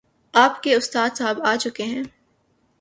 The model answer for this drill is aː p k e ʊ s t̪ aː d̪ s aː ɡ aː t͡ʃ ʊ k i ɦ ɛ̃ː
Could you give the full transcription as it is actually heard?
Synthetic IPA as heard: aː p k e ʊ s t̪ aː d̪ s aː b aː t͡ʃ ʊ k e ɦ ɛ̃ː